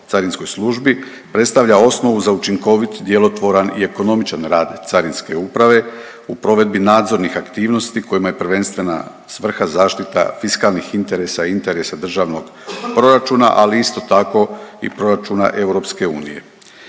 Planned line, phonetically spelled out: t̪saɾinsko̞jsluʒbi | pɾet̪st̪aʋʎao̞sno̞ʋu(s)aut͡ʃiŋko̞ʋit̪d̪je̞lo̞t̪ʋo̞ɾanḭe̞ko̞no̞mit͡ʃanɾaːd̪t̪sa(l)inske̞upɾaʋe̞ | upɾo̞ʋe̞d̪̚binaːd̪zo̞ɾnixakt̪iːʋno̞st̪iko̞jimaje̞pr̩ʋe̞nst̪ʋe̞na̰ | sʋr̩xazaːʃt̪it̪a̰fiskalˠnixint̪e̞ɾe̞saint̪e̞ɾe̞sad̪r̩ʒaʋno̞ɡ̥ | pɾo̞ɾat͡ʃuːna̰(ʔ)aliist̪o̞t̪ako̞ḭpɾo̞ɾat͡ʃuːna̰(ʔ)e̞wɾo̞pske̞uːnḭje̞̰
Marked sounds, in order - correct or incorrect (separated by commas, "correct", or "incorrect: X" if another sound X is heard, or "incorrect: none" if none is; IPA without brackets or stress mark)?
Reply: incorrect: z, incorrect: ɾ, correct, correct